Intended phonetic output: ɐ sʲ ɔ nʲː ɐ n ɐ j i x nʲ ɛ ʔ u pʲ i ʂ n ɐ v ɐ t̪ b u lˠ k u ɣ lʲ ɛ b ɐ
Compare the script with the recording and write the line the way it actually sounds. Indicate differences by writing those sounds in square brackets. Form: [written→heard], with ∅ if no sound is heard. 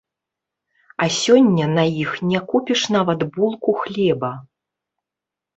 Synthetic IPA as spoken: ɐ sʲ ɔ nʲː ɐ n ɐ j i x nʲ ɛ [ʔ→k] u pʲ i ʂ n [ɐ→a] v ɐ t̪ b u lˠ k u [ɣ→x] lʲ ɛ b ɐ